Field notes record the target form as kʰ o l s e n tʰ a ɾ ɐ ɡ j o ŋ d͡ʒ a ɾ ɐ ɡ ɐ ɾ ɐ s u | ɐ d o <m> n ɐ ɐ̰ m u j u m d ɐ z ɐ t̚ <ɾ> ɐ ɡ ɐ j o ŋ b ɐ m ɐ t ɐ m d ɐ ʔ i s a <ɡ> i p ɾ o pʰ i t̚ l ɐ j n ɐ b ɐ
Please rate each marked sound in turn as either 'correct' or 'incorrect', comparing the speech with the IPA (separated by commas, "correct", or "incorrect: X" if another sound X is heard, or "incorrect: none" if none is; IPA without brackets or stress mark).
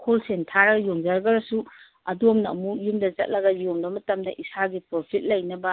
correct, incorrect: l, correct